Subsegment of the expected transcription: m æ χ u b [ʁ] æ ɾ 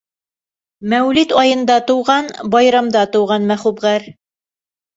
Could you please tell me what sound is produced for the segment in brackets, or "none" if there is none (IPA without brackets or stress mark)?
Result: ʁ